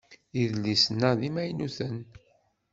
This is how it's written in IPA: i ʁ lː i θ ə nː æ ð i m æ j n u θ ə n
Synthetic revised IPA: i ð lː i s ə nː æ ð i m æ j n u θ ə n